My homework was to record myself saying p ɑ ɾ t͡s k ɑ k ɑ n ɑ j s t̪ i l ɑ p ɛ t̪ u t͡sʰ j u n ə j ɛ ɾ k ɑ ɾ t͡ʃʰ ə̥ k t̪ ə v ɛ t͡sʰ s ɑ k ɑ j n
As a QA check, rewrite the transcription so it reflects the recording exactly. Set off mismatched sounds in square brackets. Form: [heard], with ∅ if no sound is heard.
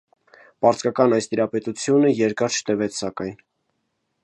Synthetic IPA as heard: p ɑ ɾ t͡s k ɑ k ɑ n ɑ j s t̪ i [ɾ] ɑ p ɛ t̪ u t͡sʰ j u n ə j ɛ ɾ k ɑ ɾ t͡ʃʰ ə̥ [∅] t̪ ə v ɛ t͡sʰ s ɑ k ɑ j n